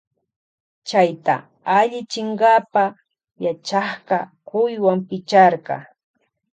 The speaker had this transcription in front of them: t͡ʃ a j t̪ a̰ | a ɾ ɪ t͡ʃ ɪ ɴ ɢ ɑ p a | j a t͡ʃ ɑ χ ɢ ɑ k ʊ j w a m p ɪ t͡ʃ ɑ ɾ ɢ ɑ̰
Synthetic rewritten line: t͡ʃ a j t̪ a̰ | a ʎ ɪ t͡ʃ ɪ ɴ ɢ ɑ p a | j a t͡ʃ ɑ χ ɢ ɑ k ʊ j w a m p ɪ t͡ʃ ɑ ɾ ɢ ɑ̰